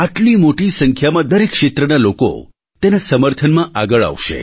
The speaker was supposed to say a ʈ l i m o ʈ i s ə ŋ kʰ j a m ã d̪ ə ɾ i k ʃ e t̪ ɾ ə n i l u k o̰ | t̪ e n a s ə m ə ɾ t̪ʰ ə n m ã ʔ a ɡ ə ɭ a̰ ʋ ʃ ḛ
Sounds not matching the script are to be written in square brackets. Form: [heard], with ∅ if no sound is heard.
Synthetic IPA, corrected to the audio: a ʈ l i m o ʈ i s ə ŋ kʰ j a m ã d̪ ə ɾ [e] k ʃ e t̪ ɾ ə n [a] l [o] k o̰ | t̪ e n a s ə m ə ɾ t̪ʰ ə n m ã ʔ a ɡ ə ɭ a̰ ʋ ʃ ḛ